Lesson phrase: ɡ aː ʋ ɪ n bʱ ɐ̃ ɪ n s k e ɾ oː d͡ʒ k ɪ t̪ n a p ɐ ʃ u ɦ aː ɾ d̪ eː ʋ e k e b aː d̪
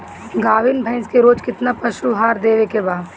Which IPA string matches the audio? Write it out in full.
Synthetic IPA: ɡ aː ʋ ɪ n bʱ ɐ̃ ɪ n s k e ɾ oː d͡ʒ k ɪ t̪ n a p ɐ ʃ u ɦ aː ɾ d̪ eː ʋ e k e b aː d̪